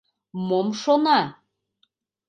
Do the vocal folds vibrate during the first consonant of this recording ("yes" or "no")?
yes